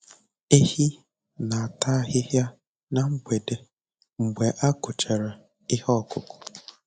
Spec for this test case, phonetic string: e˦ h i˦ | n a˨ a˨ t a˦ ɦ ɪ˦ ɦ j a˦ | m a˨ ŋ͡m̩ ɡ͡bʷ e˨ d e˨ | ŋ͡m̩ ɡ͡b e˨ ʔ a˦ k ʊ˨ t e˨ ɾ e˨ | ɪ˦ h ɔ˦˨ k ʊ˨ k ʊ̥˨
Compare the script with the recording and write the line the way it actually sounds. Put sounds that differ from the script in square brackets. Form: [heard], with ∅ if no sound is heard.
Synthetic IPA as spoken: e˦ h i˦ | n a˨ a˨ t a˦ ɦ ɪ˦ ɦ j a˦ | [n] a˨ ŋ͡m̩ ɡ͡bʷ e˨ d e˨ | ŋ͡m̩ ɡ͡b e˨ ʔ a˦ k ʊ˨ [t͡ʃ] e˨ ɾ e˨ | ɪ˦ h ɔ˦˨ k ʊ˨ k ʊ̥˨